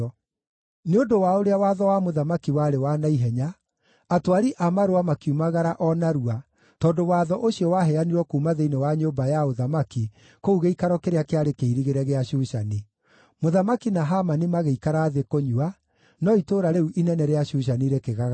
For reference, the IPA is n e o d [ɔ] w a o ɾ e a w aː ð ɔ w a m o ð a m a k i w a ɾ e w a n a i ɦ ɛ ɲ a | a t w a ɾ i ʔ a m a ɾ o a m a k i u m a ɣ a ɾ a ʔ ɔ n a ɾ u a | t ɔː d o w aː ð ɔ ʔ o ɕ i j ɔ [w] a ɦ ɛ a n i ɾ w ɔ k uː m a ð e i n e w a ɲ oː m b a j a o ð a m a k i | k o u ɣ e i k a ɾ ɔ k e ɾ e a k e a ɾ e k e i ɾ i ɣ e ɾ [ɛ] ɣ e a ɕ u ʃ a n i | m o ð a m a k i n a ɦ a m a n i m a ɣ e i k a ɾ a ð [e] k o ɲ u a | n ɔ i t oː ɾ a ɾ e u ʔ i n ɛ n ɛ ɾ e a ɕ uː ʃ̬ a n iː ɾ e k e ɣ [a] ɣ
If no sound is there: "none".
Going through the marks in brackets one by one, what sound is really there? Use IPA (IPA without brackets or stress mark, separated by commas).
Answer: o, w, ɛ, e, a